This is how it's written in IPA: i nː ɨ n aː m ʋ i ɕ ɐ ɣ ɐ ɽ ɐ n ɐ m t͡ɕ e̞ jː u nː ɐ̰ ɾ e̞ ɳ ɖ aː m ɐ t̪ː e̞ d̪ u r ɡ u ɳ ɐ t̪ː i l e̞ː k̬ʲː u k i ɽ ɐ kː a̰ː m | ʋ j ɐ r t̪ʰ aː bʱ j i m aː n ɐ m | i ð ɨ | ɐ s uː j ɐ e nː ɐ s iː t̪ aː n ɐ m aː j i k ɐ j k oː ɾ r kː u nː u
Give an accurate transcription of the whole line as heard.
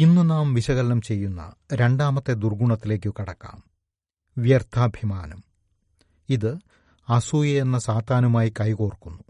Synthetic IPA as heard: i nː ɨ n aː m ʋ i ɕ ɐ ɣ ɐ l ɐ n ɐ m t͡ɕ e̞ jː u nː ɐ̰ ɾ e̞ ɳ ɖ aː m ɐ t̪ː e̞ d̪ u r ɡ u ɳ ɐ t̪ː i l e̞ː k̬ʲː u k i ɽ ɐ kː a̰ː m | ʋ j ɐ r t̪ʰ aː bʱ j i m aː n ɐ m | i ð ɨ | ɐ s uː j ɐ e nː ɐ s aː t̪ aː n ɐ m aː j i k ɐ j k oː r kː u nː u